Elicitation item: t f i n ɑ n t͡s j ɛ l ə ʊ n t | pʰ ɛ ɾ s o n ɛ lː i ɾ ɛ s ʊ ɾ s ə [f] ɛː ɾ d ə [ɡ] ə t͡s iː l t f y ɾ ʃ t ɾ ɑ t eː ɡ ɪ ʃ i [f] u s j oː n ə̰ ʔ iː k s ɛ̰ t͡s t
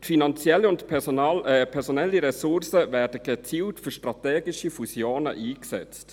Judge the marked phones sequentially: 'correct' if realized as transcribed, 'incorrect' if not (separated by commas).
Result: incorrect, correct, correct